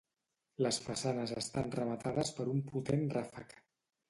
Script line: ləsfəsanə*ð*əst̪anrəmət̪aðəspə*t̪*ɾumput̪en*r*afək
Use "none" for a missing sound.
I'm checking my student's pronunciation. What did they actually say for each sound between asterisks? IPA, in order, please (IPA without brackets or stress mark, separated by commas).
z, none, r